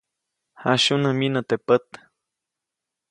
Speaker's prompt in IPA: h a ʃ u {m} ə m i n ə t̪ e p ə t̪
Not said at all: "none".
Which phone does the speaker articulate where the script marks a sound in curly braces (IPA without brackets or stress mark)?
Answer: n